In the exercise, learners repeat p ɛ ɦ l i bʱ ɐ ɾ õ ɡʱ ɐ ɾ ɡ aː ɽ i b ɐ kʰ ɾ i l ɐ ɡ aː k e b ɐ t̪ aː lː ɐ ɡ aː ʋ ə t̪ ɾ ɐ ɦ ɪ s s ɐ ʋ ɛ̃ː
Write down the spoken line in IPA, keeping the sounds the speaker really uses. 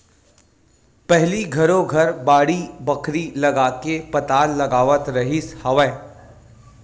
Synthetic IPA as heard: p ɛ ɦ l i ɡʱ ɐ ɾ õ ɡʱ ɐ ɾ b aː ɽ i b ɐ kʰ ɾ i l ɐ ɡ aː k e p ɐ t̪ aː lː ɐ ɡ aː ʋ ə t̪ ɾ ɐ ɦ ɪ s h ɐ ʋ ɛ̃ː

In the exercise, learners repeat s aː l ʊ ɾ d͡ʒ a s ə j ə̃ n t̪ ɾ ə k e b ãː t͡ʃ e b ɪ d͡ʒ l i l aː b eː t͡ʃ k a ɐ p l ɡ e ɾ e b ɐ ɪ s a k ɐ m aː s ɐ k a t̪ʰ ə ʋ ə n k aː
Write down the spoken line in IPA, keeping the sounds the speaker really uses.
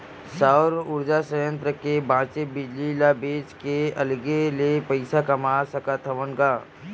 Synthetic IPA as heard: s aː ɾ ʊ ɾ d͡ʒ a s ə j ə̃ n t̪ ɾ ə k e b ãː t͡ʃ e b ɪ d͡ʒ l i l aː b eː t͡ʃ k e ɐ l ɡ e l e p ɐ ɪ s a k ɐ m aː s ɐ k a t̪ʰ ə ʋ ə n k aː

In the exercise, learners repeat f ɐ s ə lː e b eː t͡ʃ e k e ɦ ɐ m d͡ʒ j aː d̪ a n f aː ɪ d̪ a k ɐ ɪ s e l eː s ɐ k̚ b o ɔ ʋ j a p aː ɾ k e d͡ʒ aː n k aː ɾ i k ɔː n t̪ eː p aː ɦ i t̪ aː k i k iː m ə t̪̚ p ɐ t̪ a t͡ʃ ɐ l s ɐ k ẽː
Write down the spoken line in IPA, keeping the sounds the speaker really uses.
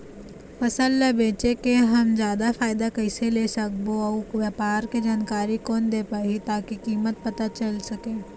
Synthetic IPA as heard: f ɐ s ə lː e b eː t͡ʃ e k e ɦ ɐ m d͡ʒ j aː d̪ a f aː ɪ d̪ a k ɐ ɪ s e l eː s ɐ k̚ b o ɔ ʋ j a p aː ɾ k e d͡ʒ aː n k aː ɾ i k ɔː n d̪ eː p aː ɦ i t̪ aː k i k iː m ə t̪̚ p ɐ t̪ a t͡ʃ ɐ l s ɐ k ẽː

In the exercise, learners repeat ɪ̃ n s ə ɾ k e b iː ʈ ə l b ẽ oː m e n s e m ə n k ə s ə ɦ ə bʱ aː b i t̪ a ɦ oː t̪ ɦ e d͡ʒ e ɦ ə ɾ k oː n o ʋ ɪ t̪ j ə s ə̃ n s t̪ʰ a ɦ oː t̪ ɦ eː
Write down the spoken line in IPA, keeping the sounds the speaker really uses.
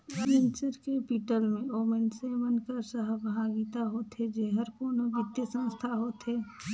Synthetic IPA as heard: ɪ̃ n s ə ɾ k e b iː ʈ ə l m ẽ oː m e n s e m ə n k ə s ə ɦ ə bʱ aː ɡ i t̪ a ɦ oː t̪ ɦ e d͡ʒ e ɦ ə ɾ k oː n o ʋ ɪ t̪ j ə s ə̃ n s t̪ʰ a ɦ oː t̪ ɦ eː

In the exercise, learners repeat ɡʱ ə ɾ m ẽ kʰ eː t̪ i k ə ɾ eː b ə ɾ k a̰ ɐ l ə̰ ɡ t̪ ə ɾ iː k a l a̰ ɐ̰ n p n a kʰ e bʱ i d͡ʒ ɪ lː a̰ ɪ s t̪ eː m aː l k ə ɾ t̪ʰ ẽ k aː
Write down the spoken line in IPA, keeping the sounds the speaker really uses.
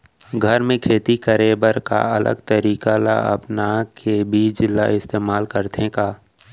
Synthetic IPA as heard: ɡʱ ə ɾ m ẽ kʰ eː t̪ i k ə ɾ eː b ə ɾ k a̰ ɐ l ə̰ ɡ t̪ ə ɾ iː k a l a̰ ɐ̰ p n a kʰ e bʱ i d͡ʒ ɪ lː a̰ ɪ s t̪ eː m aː l k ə ɾ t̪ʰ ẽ k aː

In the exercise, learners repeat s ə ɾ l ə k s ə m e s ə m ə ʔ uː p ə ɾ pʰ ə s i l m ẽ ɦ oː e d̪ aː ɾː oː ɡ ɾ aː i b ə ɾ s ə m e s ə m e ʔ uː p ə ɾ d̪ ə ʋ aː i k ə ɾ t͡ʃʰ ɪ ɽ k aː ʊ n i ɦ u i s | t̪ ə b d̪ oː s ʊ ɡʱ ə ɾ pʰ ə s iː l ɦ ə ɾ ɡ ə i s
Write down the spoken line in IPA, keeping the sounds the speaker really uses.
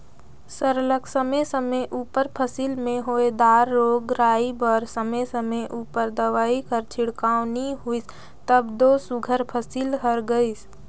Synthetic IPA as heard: s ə ɾ l ə k s ə m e s ə m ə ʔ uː p ə ɾ pʰ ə s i l m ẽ ɦ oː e d̪ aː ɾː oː ɡ ɾ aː i b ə ɾ s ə m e s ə m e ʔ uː p ə ɾ d̪ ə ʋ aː i k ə ɾ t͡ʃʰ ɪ ɽ k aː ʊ n i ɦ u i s | t̪ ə b d̪ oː s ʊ ɡʱ ə ɾ pʰ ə s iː l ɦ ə ɾ ɡ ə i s

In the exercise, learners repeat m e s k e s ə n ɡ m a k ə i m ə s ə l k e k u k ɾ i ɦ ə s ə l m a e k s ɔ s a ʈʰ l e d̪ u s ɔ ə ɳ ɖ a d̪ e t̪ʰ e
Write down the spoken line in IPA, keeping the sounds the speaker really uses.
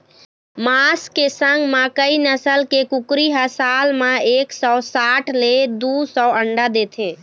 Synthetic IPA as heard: m a s k e s ə ŋ ɡ m a k ə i n ə s ə l k e k u k ɾ i ɦ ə s a l m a e k s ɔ s a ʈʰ l e d̪ u s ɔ ə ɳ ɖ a d̪ e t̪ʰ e

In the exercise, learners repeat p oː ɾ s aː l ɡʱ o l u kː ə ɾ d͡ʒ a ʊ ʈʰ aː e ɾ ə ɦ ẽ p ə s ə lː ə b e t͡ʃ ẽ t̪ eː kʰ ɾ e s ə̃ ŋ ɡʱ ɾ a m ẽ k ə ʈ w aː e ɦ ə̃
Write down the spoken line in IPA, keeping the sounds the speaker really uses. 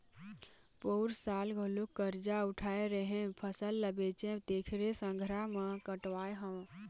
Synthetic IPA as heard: p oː ɾ s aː l ɡʱ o l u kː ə ɾ d͡ʒ a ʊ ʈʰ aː e ɾ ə ɦ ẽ pʰ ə s ə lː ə b e t͡ʃ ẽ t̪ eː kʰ ɾ e s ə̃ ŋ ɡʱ ɾ a m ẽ k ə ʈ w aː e ɦ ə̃

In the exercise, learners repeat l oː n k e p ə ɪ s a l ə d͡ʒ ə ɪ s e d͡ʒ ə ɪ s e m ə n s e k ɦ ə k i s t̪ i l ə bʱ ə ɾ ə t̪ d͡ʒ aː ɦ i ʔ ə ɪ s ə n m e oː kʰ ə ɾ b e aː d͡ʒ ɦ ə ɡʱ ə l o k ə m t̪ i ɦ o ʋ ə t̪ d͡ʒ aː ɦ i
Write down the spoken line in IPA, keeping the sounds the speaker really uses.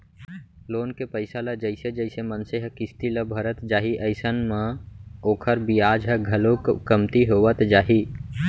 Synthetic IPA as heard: l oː n k e p ə ɪ s a l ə d͡ʒ ə ɪ s e d͡ʒ ə ɪ s e m ə n s e ɦ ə k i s t̪ i l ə bʱ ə ɾ ə t̪ d͡ʒ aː ɦ i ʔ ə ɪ s ə n m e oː kʰ ə ɾ b i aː d͡ʒ ɦ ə ɡʱ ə l o k ə m t̪ i ɦ o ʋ ə t̪ d͡ʒ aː ɦ i

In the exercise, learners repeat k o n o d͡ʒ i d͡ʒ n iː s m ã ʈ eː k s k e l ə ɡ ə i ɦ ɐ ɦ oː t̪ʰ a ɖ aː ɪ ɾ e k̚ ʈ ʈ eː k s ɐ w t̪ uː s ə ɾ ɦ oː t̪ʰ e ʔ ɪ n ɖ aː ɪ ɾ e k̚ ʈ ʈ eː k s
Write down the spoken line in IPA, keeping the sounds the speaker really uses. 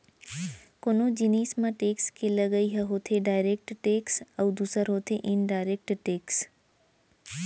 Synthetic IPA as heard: k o n o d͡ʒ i n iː s m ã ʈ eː k s k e l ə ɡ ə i ɦ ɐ ɦ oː t̪ʰ e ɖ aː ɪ ɾ e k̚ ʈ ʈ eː k s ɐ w d̪ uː s ə ɾ ɦ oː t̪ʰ e ʔ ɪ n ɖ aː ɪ ɾ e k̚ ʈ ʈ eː k s

